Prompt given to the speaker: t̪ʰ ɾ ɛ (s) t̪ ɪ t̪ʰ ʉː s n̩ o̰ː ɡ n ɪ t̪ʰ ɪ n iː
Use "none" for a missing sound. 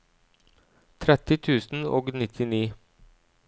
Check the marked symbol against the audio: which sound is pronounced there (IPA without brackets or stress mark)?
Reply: none